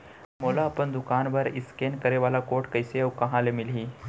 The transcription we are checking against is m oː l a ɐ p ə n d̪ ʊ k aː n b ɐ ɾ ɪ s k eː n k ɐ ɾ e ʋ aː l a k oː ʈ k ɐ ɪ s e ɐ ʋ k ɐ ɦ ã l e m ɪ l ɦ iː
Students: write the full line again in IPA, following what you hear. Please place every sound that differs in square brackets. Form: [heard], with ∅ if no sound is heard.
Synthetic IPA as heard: m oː l a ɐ p ə n d̪ ʊ k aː n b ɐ ɾ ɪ s k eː n k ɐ ɾ e ʋ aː l a k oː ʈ k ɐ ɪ s e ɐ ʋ k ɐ ɦ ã l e m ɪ l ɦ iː